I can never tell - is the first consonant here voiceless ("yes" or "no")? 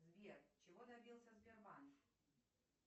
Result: no